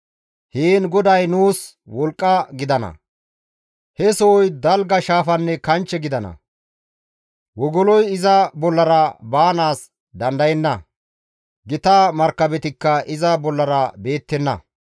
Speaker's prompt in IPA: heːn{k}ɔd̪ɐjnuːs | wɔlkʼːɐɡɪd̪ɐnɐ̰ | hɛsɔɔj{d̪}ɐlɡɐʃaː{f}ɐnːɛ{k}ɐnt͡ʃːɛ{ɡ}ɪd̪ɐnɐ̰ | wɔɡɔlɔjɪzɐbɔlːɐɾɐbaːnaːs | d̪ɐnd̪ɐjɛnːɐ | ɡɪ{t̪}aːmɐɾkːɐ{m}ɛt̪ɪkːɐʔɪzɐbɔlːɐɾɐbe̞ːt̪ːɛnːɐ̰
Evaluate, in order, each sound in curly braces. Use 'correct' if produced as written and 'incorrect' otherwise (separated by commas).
incorrect, correct, correct, correct, correct, correct, incorrect